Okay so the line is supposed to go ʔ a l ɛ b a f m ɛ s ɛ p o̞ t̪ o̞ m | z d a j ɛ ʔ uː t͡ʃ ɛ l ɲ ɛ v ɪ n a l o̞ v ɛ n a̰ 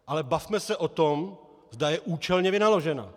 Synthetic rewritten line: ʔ a l ɛ b a f m ɛ s ɛ ʔ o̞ t̪ o̞ m | z d a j ɛ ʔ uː t͡ʃ ɛ l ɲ ɛ v ɪ n a l o̞ ʒ ɛ n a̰